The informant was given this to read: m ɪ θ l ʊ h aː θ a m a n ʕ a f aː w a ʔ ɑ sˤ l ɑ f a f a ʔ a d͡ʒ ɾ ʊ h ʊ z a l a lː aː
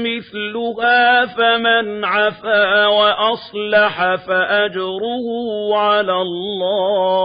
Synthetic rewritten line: m ɪ θ l ʊ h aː f a m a n ʕ a f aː w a ʔ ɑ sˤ l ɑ ħ a f a ʔ a d͡ʒ ɾ ʊ h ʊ ʕ a l a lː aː